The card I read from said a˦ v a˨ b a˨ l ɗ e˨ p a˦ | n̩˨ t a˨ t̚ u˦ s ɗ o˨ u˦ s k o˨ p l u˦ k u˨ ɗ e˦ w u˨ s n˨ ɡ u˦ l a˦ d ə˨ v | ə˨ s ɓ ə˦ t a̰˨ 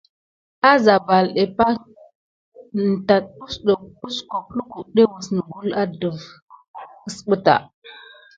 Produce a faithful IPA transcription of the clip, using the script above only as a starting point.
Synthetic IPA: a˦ z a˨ b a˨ l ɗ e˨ p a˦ | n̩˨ t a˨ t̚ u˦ s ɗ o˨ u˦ s k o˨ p l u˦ k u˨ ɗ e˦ w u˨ s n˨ ɡ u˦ l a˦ d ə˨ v | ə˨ s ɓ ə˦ t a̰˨